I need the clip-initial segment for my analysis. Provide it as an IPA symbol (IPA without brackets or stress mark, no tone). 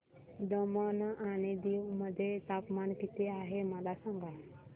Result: d̪